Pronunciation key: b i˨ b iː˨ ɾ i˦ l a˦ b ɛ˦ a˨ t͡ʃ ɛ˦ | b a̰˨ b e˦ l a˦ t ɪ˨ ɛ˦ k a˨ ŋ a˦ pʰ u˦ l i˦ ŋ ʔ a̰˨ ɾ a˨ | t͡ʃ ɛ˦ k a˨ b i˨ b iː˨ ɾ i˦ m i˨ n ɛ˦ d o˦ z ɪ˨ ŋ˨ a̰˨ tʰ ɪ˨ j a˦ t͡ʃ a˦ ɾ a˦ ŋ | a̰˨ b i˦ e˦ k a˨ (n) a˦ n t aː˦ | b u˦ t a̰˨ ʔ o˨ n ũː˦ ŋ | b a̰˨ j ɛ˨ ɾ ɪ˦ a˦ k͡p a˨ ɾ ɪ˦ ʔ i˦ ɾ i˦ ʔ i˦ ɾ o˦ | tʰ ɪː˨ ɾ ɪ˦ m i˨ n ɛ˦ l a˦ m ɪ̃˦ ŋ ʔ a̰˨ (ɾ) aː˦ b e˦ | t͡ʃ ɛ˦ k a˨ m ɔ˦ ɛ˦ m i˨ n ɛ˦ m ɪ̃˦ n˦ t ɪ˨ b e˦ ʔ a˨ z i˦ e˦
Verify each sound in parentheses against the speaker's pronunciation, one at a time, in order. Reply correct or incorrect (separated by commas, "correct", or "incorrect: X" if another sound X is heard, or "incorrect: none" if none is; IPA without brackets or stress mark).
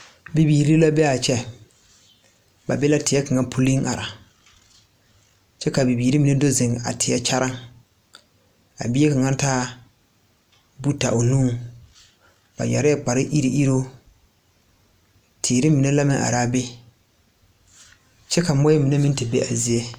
incorrect: ŋ, correct